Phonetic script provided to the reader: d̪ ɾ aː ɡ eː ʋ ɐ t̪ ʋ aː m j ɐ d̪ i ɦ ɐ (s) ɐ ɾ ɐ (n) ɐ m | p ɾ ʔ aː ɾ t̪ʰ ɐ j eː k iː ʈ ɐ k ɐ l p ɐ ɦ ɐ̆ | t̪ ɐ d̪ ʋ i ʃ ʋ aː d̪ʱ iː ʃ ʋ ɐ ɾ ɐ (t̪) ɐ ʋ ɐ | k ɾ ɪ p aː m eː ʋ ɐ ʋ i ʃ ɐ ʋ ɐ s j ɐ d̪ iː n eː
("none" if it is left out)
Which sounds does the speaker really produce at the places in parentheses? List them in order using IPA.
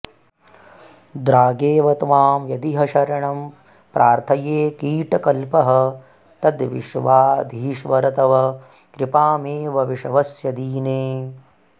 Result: ʃ, ɳ, t̪

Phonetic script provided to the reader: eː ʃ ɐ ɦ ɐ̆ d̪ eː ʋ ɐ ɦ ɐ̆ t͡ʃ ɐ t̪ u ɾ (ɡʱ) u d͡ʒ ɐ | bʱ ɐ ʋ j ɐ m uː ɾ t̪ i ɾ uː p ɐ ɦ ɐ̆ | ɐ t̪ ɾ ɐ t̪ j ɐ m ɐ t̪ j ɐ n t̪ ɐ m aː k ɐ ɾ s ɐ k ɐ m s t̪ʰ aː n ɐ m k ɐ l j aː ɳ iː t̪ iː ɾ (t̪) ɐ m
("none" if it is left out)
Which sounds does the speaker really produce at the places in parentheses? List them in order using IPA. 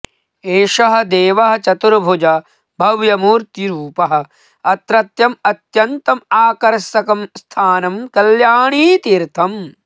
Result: bʱ, t̪ʰ

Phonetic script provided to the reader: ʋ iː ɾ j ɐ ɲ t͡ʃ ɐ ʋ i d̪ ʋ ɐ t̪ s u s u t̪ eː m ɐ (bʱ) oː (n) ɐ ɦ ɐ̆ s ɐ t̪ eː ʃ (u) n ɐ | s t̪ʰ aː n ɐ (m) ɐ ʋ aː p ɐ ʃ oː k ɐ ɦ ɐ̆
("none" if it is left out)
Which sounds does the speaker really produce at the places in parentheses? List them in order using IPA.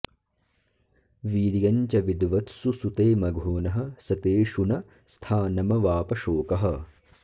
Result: ɡʱ, n, u, m

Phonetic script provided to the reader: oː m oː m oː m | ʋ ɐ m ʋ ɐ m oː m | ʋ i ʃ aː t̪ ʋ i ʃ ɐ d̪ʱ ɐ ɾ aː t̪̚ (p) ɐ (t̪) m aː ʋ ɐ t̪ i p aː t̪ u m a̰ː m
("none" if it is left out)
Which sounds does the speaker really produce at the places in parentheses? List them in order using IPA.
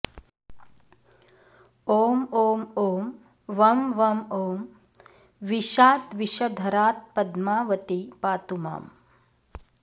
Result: p, d̪

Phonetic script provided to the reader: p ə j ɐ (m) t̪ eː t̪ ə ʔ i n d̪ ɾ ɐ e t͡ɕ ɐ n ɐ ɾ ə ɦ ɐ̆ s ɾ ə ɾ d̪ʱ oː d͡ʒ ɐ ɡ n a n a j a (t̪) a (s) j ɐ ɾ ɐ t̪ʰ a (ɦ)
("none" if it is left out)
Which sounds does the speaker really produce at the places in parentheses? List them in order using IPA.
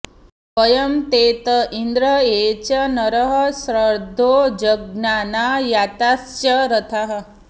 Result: m, t̪, s, ɦ

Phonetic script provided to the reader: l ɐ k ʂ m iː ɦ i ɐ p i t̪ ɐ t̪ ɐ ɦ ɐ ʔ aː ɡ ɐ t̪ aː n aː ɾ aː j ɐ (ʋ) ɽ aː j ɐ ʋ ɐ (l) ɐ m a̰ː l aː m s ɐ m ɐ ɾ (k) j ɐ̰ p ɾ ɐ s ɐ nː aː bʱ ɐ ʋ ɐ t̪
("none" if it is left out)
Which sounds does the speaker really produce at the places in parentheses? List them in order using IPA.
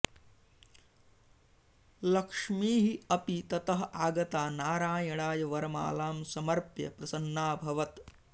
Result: none, ɾ, p

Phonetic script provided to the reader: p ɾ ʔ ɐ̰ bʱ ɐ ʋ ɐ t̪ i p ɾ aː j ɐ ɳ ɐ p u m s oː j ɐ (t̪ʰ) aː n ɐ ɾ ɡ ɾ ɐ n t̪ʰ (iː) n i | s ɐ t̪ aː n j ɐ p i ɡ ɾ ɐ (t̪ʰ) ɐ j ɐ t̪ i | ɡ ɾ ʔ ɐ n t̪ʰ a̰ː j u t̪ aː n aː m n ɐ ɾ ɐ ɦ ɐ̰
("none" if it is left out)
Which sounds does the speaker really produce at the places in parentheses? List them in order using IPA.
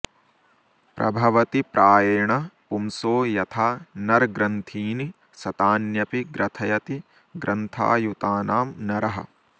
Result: t̪ʰ, iː, t̪ʰ

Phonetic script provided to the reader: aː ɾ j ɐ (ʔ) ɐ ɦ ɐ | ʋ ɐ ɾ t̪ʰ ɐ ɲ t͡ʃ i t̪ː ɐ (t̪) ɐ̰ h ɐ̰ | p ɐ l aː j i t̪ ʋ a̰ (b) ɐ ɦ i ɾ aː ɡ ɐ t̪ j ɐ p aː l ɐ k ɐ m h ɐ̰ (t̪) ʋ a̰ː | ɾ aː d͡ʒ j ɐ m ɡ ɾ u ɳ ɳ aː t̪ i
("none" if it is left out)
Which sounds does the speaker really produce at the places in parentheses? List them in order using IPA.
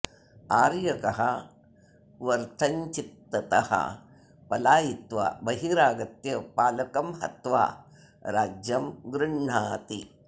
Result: k, t̪, b, t̪

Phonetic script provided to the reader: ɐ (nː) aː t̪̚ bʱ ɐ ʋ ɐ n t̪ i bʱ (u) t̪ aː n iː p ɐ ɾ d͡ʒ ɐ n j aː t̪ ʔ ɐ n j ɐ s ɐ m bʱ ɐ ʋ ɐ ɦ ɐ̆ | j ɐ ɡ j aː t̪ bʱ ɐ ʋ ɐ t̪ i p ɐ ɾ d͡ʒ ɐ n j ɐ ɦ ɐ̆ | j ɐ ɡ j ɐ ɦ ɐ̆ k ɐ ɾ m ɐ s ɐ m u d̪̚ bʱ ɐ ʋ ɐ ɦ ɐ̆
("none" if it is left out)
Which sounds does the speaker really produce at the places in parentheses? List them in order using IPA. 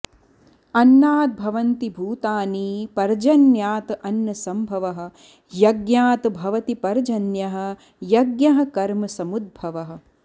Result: nː, uː

